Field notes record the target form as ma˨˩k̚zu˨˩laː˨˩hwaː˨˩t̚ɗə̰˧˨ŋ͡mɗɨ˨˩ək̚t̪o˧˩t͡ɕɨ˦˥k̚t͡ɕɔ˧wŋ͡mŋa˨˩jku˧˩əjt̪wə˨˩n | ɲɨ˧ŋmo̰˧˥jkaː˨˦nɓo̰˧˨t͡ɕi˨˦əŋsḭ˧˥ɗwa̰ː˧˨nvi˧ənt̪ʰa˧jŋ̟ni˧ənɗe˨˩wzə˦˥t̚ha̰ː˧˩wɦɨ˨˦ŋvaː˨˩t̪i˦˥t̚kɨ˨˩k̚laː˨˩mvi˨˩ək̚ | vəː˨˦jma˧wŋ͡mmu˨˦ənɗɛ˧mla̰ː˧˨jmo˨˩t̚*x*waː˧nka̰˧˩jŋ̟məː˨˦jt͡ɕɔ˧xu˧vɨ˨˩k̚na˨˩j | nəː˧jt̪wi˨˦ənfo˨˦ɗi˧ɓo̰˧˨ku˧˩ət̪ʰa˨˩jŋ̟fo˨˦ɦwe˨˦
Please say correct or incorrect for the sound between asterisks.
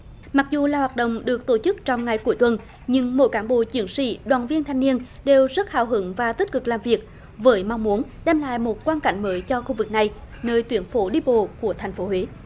incorrect